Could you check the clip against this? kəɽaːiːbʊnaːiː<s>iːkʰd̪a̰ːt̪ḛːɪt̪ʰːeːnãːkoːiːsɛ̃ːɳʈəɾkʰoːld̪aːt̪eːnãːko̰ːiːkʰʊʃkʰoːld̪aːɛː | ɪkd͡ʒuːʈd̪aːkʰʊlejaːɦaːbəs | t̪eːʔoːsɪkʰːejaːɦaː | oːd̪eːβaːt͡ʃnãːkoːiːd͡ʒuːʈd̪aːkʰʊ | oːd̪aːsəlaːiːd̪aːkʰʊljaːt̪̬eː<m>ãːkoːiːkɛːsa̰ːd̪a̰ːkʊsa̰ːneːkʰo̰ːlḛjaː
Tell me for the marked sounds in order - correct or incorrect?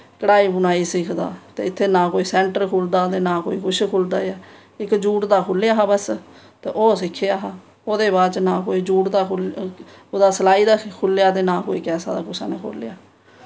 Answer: correct, incorrect

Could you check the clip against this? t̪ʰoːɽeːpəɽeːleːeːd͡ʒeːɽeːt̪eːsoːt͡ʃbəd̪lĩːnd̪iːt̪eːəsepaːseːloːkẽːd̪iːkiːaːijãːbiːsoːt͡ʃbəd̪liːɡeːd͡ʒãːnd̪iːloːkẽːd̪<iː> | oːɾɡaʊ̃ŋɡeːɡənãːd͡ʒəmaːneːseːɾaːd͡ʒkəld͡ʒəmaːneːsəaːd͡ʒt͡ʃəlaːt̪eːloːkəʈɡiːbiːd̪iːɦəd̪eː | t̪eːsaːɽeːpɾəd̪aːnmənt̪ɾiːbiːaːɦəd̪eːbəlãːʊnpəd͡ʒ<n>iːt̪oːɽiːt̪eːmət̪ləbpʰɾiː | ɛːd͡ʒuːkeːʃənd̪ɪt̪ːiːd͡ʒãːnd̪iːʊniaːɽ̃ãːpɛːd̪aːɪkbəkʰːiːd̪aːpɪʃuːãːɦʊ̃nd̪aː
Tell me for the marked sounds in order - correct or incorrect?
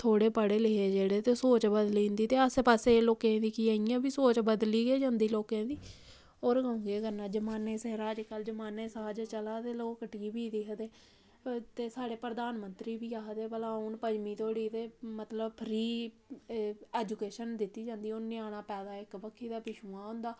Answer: correct, incorrect

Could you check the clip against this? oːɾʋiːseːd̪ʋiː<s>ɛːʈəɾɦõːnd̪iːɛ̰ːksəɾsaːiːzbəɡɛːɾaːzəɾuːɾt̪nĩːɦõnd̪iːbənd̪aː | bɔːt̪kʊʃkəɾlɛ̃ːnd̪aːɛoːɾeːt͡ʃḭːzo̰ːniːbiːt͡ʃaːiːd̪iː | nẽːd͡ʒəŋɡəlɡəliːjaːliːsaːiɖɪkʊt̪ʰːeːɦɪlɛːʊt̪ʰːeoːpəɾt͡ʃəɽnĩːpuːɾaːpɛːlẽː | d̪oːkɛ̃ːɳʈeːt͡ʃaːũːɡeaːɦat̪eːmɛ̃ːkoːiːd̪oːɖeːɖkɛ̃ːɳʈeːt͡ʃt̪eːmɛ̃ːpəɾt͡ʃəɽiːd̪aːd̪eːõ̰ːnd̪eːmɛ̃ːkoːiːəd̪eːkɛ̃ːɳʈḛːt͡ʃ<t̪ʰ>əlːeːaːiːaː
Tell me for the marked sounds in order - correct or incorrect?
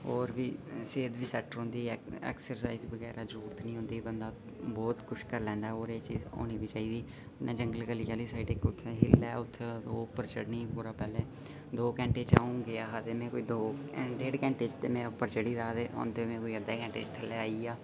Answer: correct, correct

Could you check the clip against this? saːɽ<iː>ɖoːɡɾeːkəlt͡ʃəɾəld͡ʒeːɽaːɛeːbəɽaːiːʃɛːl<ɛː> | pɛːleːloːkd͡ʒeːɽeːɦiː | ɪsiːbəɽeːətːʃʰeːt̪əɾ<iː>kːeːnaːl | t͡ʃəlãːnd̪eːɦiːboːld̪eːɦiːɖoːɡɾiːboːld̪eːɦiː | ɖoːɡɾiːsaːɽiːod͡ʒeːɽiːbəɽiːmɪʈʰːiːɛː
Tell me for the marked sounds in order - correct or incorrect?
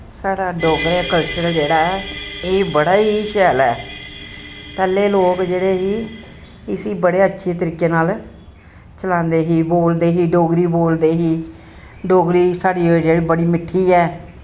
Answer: incorrect, correct, correct

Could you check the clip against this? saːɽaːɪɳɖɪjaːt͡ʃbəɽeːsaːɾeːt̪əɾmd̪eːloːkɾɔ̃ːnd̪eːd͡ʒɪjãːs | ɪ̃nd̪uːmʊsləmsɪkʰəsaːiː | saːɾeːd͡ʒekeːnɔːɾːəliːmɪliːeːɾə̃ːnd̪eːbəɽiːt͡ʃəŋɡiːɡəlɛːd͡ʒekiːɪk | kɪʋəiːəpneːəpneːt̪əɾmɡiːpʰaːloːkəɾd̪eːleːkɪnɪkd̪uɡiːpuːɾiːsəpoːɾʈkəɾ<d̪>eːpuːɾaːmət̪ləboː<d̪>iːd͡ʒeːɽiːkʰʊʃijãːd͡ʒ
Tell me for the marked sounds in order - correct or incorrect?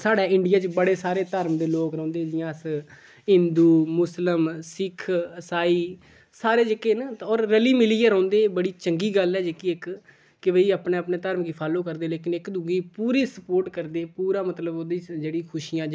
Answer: correct, correct

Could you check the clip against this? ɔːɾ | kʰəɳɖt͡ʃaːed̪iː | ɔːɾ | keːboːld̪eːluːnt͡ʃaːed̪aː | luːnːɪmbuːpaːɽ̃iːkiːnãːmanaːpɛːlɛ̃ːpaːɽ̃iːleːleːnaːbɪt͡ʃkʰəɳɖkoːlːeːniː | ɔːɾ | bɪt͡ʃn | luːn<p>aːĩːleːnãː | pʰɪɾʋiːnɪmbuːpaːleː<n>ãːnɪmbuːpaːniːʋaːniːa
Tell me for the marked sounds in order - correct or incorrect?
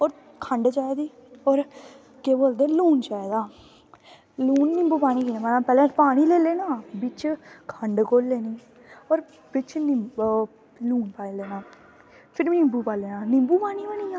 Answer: correct, correct

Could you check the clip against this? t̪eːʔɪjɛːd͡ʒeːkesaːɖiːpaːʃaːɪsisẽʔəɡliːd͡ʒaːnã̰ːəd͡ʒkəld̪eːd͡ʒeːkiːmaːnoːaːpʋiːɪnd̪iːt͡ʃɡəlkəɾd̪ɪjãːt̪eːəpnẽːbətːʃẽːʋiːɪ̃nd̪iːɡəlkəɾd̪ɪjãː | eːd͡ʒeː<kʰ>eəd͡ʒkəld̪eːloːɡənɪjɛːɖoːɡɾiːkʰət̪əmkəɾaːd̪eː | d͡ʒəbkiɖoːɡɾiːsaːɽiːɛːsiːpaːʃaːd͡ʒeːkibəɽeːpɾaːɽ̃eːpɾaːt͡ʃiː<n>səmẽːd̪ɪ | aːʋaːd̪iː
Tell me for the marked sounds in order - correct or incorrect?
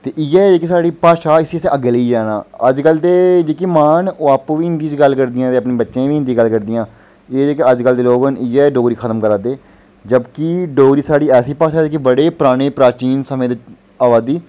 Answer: incorrect, correct

